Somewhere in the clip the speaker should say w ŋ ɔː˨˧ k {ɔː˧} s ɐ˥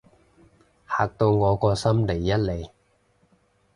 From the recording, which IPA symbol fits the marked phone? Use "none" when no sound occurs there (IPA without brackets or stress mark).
ɔː˧